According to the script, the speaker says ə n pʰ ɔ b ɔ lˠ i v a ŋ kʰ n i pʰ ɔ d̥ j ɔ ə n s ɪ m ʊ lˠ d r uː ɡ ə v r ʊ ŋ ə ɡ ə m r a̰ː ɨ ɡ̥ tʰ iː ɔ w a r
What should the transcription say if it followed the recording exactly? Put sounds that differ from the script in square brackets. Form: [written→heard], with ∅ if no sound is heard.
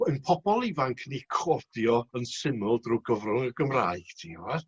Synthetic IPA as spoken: ə n pʰ ɔ b ɔ lˠ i v a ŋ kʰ n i [pʰ→kʰ] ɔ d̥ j ɔ ə n s ɪ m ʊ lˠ d r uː ɡ ə v r ʊ ŋ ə ɡ ə m r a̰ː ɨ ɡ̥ tʰ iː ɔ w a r